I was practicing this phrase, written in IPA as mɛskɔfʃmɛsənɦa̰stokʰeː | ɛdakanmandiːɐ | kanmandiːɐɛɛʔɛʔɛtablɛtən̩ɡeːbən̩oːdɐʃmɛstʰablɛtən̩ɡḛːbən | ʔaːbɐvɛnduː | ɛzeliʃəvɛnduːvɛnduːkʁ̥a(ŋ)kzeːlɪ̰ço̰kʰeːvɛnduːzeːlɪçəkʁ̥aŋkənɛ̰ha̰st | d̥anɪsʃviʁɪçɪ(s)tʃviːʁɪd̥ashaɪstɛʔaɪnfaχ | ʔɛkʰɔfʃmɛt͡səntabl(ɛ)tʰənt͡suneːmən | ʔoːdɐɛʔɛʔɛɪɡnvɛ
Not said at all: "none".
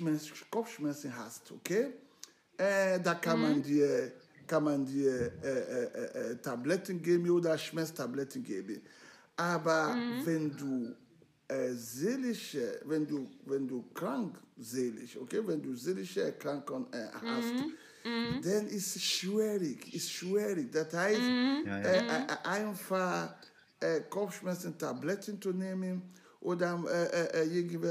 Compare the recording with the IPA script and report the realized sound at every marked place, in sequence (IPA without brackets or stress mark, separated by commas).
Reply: ŋ, s, ɛ